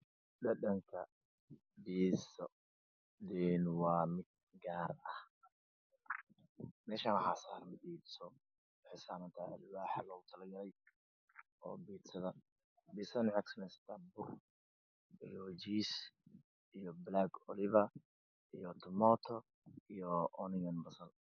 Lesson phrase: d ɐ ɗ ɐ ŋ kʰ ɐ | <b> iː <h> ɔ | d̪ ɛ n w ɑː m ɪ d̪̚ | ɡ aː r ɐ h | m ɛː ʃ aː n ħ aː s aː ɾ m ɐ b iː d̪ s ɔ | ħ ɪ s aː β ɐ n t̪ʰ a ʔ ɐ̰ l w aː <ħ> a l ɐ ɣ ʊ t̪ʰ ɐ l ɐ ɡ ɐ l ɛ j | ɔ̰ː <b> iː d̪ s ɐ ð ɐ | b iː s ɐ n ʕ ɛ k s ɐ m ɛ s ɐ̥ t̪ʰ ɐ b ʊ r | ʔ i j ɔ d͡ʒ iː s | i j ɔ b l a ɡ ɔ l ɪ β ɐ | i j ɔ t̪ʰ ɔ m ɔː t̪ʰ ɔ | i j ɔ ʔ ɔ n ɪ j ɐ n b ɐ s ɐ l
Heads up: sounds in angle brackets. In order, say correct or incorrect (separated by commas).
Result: correct, incorrect, correct, correct